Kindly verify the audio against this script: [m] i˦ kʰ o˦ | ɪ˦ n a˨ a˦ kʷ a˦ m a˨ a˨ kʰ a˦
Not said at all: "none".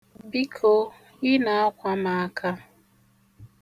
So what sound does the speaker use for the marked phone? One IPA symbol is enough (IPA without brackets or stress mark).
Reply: b